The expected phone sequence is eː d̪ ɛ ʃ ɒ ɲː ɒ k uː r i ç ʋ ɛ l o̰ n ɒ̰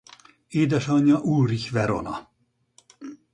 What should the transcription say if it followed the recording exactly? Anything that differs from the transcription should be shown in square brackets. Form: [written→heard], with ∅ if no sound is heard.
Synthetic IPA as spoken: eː d̪ ɛ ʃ ɒ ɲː ɒ [k→ʔ] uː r i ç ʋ ɛ [l→ɾ] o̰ n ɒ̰